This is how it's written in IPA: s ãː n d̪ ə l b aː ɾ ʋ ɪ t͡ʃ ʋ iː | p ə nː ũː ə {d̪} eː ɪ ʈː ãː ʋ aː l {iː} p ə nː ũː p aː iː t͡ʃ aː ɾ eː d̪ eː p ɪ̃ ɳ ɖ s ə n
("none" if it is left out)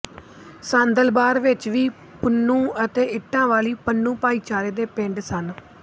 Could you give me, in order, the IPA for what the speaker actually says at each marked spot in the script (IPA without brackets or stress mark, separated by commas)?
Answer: t̪, iː